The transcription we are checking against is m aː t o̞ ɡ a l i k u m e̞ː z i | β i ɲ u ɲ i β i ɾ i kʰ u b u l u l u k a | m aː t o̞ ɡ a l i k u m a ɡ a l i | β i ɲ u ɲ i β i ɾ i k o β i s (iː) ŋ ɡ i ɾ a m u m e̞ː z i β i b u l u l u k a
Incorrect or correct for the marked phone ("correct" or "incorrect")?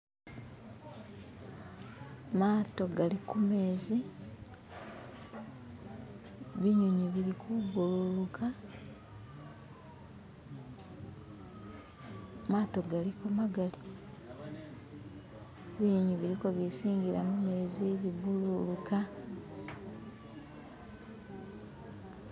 correct